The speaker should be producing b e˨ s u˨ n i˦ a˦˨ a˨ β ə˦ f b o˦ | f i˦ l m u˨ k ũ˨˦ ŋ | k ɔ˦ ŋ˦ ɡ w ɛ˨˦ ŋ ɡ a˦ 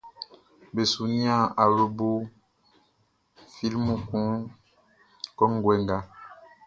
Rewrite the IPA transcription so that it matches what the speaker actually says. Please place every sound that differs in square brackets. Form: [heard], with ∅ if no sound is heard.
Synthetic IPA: b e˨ s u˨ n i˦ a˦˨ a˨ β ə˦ [∅] b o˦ | f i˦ l m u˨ k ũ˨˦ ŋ | k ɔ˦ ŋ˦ ɡ w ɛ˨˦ ŋ ɡ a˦